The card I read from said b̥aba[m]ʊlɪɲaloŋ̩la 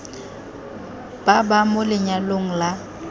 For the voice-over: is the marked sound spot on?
yes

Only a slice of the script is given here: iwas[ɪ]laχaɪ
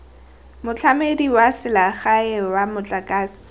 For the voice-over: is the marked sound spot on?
yes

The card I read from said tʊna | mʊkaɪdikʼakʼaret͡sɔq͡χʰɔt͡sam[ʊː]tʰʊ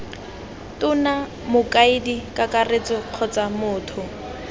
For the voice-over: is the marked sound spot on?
yes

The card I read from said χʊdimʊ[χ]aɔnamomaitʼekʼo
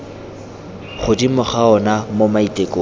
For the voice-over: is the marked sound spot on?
yes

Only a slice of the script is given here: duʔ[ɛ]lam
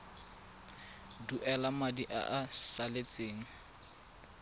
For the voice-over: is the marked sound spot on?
yes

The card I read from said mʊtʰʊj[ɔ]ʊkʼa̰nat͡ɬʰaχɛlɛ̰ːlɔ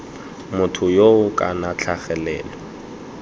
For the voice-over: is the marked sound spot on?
no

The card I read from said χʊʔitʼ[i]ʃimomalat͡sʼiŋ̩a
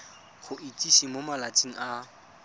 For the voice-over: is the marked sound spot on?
yes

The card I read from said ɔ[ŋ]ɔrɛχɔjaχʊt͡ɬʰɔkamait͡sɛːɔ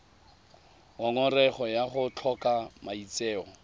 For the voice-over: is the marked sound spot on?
yes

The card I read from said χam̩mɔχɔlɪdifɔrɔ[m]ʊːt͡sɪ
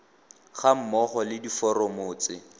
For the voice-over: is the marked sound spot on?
yes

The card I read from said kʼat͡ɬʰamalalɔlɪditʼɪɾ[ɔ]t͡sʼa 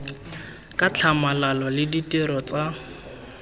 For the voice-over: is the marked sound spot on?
yes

